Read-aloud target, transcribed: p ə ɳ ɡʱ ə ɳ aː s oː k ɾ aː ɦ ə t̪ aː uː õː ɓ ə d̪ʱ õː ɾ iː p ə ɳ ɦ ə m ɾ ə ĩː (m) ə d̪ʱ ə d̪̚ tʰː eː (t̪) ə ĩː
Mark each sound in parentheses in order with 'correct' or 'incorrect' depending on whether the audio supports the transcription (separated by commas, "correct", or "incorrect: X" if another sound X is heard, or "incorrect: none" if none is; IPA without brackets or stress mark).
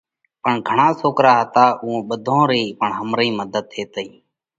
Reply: correct, correct